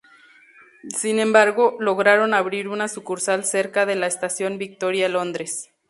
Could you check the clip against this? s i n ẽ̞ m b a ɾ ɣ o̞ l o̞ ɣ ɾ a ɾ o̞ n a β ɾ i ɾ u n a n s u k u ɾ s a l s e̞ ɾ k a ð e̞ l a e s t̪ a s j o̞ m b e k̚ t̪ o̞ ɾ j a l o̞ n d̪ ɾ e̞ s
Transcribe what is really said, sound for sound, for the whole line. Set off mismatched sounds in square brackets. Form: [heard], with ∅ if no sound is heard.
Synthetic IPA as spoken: s i n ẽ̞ m b a ɾ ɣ o̞ l o̞ ɣ ɾ a ɾ o̞ n a β ɾ i ɾ u n a [∅] s u k u ɾ s a l s e̞ ɾ k a ð e̞ l a e s t̪ a s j o̞ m b [i] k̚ t̪ o̞ ɾ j a l o̞ n d̪ ɾ e̞ s